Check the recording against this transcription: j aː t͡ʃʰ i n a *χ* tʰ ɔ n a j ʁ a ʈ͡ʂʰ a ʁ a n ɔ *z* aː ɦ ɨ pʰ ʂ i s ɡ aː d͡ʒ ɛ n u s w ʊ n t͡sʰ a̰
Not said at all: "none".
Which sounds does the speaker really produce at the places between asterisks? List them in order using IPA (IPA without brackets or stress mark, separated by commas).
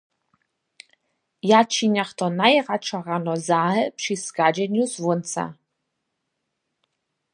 χ, z